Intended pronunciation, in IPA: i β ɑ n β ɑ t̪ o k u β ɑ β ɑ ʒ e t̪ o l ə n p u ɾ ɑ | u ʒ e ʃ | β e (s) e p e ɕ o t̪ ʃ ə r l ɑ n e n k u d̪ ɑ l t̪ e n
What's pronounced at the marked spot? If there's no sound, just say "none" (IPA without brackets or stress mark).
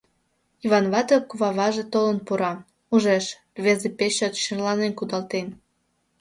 z